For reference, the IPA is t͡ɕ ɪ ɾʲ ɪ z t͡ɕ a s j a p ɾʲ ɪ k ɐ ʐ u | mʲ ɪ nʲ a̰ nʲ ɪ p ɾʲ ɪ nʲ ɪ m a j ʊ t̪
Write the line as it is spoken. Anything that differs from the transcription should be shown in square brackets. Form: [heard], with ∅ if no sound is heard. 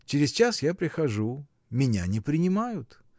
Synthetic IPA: t͡ɕ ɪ ɾʲ ɪ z t͡ɕ a s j a p ɾʲ ɪ [x] ɐ ʐ u | mʲ ɪ nʲ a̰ nʲ ɪ p ɾʲ ɪ nʲ ɪ m a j ʊ t̪